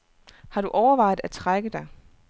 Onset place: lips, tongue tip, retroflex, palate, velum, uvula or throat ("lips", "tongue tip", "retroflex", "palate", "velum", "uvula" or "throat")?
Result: throat